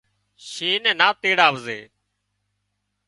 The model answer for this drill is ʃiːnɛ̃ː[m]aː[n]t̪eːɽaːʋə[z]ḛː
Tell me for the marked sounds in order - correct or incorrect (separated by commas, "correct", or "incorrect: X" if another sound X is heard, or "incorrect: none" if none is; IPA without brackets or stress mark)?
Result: incorrect: n, incorrect: none, correct